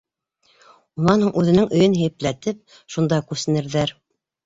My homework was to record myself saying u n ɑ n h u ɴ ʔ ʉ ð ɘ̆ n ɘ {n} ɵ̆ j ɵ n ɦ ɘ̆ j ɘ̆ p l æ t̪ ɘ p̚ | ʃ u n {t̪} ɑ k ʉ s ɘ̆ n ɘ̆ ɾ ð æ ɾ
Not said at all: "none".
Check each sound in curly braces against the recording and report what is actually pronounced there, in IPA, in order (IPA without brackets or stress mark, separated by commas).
ŋ, d̪